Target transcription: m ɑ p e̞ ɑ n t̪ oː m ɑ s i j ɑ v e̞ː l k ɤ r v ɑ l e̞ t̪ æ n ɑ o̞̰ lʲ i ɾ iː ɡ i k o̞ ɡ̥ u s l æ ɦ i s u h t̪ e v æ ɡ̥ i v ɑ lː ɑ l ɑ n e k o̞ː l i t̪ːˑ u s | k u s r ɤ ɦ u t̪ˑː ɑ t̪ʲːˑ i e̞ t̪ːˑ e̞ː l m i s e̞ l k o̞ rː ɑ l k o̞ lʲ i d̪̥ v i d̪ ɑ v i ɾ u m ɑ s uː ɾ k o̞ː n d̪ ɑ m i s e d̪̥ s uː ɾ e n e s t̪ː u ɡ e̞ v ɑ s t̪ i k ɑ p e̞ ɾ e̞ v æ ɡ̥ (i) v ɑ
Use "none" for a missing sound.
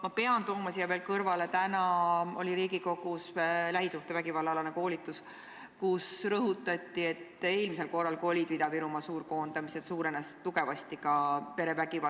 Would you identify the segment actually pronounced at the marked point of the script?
i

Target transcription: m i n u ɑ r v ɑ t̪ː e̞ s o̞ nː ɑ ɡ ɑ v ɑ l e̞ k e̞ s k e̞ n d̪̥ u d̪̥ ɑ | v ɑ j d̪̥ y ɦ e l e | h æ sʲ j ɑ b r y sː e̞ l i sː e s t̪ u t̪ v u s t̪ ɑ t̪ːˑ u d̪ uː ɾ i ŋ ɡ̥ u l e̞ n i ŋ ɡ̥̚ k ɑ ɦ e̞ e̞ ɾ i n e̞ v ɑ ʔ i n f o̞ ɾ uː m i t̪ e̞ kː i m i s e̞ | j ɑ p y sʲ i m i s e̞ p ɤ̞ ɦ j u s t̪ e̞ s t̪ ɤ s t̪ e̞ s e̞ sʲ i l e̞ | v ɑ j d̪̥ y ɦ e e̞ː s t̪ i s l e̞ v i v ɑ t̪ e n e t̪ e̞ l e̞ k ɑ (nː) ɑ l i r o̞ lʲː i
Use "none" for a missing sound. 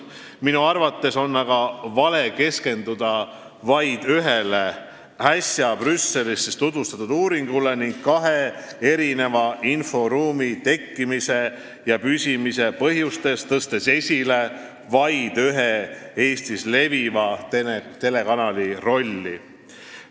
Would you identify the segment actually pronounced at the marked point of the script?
n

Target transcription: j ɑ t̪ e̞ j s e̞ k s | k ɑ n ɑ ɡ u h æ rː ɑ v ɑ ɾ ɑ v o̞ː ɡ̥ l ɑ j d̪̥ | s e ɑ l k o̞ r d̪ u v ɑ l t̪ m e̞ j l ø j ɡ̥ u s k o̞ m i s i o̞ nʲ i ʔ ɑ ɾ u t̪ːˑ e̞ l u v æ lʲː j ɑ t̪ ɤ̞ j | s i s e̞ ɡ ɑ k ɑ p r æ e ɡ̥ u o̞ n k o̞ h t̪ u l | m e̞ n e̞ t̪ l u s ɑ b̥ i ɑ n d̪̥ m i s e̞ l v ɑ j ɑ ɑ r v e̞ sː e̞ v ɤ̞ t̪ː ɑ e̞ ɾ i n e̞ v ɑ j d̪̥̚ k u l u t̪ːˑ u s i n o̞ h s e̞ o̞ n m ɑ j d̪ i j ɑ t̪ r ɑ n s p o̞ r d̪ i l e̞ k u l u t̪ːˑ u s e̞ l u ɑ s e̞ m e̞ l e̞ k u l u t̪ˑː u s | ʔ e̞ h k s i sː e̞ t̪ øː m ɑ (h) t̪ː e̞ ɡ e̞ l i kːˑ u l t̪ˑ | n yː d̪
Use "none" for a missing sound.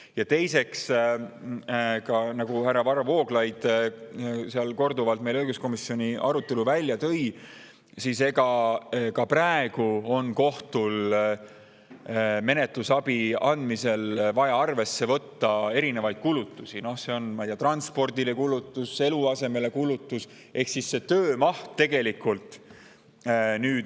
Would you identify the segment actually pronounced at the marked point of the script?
h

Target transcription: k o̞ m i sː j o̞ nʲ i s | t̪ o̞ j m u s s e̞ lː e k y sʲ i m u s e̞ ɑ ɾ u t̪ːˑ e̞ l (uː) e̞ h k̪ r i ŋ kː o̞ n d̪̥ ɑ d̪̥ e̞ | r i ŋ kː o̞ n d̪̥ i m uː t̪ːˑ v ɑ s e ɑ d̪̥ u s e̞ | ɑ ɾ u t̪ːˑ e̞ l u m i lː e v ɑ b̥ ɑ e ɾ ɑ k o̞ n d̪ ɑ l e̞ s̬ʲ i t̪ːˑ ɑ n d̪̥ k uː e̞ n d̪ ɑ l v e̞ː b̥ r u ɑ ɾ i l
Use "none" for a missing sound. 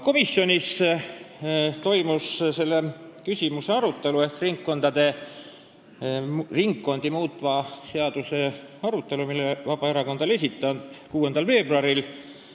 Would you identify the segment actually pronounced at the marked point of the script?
u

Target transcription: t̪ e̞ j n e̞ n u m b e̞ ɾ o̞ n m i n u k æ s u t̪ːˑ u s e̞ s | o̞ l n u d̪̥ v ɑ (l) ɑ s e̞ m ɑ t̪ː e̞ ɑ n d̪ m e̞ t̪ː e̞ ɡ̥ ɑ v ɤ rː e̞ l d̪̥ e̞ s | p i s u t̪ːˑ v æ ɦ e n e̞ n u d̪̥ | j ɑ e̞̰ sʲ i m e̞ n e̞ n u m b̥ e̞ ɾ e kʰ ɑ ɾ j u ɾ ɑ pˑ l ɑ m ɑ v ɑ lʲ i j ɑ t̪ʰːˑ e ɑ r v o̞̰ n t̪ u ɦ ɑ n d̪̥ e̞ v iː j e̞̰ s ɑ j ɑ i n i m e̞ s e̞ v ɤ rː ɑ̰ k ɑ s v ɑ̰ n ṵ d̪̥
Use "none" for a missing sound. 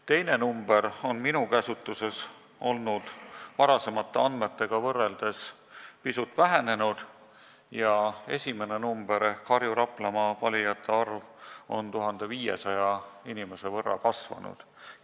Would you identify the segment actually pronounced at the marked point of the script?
ɾ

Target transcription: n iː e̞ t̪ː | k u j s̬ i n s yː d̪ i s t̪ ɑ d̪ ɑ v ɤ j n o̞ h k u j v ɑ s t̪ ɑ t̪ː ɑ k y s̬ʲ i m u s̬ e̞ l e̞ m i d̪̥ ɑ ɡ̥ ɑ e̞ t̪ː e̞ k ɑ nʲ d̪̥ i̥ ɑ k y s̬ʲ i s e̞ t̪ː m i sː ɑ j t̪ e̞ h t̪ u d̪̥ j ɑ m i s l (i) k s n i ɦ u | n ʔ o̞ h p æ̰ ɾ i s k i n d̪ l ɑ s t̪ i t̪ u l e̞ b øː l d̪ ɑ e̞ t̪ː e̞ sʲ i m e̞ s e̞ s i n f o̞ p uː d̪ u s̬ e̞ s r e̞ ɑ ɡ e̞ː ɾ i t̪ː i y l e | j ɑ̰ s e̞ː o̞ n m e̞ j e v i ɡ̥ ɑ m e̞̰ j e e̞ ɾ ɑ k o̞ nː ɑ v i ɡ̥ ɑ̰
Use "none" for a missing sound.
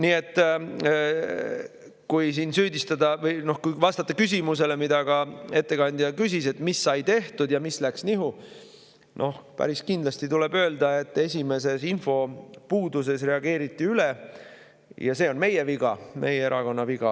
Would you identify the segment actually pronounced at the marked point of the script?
æ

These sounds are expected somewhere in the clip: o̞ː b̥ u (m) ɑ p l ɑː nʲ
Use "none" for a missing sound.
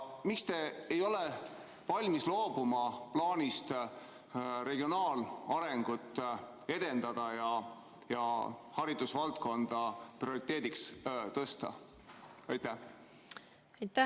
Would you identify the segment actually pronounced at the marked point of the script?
m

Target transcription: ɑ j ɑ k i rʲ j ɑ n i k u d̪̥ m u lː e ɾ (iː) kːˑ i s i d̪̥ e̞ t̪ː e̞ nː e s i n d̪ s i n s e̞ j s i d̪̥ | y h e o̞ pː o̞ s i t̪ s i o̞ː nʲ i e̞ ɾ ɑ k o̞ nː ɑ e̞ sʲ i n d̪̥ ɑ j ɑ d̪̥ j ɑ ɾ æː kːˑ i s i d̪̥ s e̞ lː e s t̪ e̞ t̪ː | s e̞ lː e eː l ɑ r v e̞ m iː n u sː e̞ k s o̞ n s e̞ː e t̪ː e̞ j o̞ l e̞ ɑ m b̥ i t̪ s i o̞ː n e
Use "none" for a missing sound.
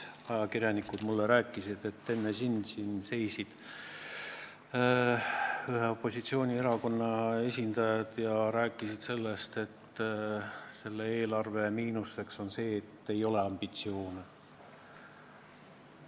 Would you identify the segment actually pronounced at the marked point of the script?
æː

